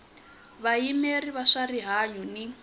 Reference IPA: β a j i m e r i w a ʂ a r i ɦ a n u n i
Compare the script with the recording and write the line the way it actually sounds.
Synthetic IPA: β a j i m e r i β a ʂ a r i ɦ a ɲ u n i